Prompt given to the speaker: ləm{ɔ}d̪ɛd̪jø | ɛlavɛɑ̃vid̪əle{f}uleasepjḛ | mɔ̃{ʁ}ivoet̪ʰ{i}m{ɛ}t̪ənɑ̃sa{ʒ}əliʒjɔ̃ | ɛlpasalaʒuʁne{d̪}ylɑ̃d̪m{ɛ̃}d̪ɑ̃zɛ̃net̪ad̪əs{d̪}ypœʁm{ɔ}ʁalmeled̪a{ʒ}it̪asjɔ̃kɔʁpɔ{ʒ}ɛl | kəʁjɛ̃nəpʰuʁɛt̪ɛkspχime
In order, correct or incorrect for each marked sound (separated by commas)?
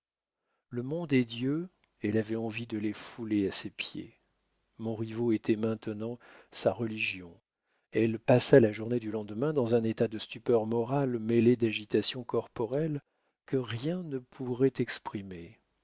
incorrect, correct, correct, incorrect, incorrect, incorrect, correct, correct, incorrect, correct, correct, incorrect